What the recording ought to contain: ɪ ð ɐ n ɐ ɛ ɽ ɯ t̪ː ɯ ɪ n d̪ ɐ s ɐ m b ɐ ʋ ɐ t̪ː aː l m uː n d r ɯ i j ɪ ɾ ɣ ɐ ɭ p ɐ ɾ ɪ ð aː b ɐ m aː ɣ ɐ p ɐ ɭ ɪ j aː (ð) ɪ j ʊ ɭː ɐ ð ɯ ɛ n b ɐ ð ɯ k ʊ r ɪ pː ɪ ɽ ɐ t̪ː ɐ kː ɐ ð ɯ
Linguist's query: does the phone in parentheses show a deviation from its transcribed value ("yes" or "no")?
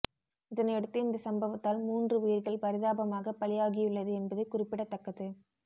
yes